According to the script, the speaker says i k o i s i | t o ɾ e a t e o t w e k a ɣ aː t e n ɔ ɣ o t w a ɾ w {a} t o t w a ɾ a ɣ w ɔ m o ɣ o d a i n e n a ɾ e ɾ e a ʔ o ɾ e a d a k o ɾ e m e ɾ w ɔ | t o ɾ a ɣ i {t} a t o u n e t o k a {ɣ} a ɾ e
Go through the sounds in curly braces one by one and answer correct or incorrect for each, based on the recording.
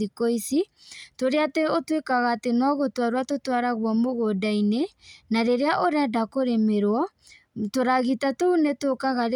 correct, correct, correct

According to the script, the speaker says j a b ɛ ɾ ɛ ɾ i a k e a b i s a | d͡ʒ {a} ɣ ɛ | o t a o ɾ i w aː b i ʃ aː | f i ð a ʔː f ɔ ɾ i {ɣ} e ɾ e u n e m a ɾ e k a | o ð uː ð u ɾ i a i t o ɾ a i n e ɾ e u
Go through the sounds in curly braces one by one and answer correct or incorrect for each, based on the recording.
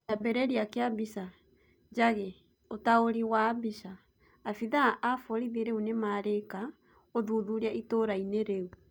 correct, incorrect: ð

